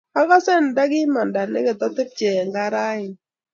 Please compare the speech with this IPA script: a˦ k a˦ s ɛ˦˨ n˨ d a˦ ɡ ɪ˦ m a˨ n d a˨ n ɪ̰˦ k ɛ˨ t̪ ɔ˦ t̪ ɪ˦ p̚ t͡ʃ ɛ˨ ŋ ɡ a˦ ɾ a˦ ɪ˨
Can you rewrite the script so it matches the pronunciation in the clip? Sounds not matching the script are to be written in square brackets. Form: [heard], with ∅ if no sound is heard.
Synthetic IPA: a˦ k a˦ s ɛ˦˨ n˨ d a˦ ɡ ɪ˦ m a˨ n d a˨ n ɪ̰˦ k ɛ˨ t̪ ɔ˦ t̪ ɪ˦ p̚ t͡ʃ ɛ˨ ŋ ɡ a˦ ɾ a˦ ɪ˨